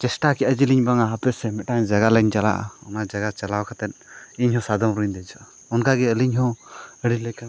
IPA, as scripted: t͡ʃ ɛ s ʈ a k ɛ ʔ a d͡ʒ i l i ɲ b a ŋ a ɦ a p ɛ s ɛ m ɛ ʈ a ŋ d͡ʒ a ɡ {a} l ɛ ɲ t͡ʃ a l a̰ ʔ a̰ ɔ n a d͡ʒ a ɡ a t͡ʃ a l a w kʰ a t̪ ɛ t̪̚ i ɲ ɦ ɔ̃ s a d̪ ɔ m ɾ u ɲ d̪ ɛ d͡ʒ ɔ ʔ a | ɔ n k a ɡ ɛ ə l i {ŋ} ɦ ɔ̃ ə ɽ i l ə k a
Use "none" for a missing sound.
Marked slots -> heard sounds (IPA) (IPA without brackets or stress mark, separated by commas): a, ɲ